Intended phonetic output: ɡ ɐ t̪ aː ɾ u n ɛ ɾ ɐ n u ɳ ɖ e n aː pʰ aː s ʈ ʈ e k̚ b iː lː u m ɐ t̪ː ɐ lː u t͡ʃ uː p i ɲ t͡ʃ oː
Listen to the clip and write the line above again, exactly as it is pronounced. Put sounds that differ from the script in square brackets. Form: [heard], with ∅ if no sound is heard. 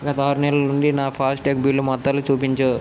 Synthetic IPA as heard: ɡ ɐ t̪ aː ɾ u n ɛ [l] ɐ n u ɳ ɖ [i] n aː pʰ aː s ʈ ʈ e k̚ b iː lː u m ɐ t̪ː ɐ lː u t͡ʃ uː p i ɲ t͡ʃ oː